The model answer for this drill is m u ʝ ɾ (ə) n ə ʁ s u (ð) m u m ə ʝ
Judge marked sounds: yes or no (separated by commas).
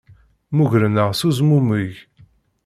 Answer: yes, no